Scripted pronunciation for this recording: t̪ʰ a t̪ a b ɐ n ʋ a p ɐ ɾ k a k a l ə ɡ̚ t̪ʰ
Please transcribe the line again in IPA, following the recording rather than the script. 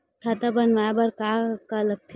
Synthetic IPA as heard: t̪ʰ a t̪ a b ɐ n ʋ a b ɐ ɾ k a k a l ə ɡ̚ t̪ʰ